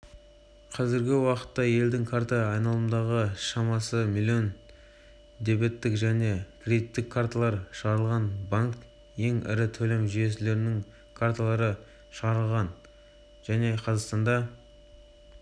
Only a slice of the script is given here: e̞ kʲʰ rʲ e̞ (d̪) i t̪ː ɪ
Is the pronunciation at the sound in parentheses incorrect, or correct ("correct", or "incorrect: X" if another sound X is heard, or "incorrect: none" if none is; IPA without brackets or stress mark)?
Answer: correct